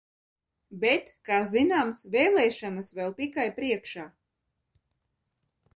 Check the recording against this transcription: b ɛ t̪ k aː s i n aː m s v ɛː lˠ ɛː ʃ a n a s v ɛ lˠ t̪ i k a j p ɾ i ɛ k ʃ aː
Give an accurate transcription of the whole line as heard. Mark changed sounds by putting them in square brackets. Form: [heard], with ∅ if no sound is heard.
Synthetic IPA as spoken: b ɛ t̪ k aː [z] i n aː m s v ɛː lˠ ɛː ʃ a n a s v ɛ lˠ t̪ i k a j p ɾ i ɛ k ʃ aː